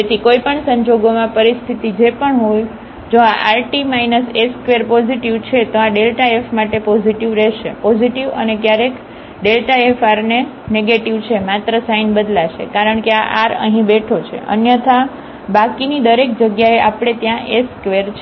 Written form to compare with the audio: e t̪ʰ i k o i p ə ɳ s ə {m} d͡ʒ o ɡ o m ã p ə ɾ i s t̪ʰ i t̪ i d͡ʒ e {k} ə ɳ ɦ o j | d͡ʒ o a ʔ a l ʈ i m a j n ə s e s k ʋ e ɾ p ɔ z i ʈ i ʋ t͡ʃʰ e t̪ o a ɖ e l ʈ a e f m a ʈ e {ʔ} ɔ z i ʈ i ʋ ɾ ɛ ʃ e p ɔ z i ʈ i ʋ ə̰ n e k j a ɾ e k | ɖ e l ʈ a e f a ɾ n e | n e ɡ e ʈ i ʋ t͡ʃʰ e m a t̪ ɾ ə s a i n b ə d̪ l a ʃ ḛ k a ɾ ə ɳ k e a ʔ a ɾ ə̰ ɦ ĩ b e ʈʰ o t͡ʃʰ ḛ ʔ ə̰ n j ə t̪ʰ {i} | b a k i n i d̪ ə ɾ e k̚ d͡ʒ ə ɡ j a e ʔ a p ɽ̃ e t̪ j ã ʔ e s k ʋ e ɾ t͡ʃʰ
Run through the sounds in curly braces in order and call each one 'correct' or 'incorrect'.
incorrect: ɲ, incorrect: p, incorrect: p, incorrect: a

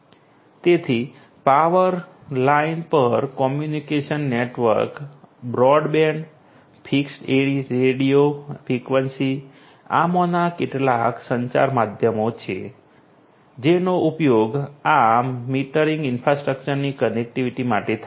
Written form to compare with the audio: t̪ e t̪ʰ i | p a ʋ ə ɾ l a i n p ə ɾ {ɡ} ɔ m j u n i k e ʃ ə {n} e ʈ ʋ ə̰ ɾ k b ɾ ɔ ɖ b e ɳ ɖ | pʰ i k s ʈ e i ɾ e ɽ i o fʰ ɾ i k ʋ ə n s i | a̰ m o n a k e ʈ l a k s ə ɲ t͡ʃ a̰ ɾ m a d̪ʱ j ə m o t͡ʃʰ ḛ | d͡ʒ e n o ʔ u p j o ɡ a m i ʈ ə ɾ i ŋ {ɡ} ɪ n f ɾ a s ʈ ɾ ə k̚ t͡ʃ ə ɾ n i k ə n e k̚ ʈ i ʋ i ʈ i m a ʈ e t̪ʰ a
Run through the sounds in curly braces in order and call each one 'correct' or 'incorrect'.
incorrect: k, incorrect: nː, correct

